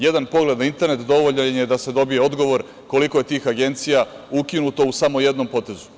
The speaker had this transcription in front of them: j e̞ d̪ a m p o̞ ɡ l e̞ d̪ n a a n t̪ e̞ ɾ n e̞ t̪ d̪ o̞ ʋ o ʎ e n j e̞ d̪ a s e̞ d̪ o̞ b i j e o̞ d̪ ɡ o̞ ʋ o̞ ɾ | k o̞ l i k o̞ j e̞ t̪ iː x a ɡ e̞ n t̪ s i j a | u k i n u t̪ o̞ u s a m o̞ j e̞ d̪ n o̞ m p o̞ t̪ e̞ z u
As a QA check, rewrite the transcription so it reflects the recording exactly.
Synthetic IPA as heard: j e̞ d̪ a n p o̞ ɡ l e̞ d̪ n a i n t̪ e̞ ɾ n e̞ t̪ d̪ o̞ ʋ o ʎ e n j e̞ d̪ a s e̞ d̪ o̞ b i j e o̞ d̪ ɡ o̞ ʋ o̞ ɾ | k o̞ l i k o̞ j e̞ t̪ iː x a ɡ e̞ n t̪ s i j a | u k i n u t̪ o̞ u s a m o̞ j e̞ d̪ n o̞ m p o̞ t̪ e̞ z u